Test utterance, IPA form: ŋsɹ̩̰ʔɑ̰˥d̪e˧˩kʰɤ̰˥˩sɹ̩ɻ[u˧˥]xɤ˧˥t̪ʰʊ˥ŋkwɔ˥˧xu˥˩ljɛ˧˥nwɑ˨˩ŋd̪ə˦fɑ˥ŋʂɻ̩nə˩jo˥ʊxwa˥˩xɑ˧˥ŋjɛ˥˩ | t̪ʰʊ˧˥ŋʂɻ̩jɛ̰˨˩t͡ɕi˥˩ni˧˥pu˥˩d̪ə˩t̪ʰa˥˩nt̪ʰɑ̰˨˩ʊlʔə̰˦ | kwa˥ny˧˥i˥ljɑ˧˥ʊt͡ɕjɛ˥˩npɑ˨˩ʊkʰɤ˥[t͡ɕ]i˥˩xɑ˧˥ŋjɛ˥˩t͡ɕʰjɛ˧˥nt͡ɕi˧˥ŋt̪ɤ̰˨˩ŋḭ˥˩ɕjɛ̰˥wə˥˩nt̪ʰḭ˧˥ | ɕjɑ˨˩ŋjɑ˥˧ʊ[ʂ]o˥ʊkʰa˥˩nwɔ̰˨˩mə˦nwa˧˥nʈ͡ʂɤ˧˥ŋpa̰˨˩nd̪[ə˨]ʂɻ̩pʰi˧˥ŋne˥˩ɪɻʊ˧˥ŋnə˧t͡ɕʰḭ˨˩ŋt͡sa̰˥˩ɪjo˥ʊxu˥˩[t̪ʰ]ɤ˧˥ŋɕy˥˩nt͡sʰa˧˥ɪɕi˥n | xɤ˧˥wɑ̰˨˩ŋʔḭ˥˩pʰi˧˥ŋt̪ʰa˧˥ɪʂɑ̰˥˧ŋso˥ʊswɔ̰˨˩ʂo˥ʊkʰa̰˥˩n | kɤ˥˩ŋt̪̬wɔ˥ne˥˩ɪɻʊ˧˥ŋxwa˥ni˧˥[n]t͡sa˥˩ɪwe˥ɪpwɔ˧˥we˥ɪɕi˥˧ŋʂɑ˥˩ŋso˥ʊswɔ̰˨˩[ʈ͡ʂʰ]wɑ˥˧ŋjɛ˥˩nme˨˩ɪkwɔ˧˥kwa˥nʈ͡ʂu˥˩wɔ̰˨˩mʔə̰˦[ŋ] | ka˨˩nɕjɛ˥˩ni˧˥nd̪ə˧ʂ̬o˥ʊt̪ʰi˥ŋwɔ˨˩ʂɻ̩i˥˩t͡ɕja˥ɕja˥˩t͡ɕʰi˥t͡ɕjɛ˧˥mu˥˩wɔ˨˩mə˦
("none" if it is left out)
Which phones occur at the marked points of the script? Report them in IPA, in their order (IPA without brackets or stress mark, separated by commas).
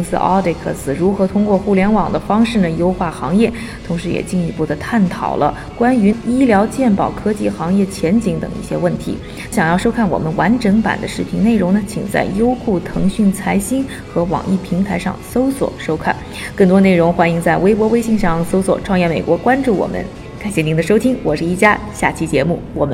u˧˥, t͡ɕ, ʂ, ə˦, t̪ʰ, ŋ, ʈ͡ʂʰ, n